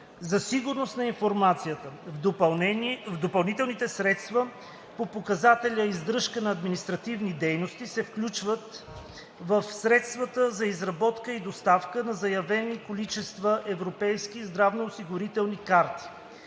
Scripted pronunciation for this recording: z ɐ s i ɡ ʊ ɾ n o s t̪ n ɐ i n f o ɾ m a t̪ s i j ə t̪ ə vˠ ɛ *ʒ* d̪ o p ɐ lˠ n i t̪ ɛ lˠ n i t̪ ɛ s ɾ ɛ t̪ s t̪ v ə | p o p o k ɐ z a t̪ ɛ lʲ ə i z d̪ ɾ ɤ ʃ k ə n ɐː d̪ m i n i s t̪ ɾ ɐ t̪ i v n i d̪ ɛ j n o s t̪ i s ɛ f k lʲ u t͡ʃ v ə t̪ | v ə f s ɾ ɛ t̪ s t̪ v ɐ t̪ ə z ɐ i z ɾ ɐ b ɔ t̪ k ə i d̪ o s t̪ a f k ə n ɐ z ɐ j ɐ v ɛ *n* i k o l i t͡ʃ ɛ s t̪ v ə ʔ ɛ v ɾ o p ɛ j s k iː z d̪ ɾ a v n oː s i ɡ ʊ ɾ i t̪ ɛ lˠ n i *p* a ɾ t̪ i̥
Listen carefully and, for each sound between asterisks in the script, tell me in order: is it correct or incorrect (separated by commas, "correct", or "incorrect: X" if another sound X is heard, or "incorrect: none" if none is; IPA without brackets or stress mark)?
incorrect: v, correct, incorrect: k